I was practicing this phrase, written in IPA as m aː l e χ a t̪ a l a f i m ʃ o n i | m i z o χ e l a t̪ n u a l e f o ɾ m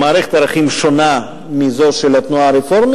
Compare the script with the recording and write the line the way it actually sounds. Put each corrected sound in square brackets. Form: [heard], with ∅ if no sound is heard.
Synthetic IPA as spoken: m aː [ɾ] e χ [e] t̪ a [ɾ] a [χ] i m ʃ o n [a] | m i z o [ʃ] e l a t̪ n u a [ɾ] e f o ɾ m